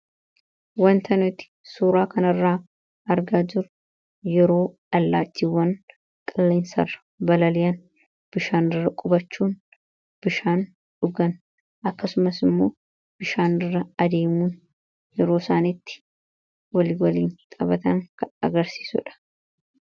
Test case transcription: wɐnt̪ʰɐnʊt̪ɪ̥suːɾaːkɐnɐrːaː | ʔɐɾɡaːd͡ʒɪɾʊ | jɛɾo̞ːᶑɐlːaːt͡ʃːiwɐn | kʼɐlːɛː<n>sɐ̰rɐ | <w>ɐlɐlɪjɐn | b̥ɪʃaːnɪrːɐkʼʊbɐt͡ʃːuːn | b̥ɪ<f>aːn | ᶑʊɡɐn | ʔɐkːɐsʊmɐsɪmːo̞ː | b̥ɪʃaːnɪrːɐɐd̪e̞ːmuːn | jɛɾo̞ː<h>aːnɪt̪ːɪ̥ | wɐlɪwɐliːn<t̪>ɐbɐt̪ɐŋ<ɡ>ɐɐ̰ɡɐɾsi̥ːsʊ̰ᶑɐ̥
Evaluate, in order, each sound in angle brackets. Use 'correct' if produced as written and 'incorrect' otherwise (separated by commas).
correct, incorrect, incorrect, incorrect, incorrect, incorrect